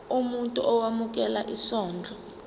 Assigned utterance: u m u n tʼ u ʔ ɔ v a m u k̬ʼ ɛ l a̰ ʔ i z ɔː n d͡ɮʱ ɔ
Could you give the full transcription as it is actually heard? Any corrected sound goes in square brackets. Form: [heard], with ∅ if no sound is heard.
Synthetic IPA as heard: u m u n tʼ u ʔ ɔ [w] a m u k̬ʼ ɛ l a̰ ʔ i [s] ɔː n d͡ɮʱ ɔ